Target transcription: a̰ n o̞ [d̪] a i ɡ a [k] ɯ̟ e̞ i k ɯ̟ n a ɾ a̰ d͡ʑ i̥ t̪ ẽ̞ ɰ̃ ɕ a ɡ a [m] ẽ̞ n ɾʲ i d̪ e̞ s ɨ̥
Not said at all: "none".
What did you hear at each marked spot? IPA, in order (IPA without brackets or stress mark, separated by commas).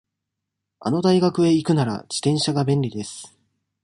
d̪, k, b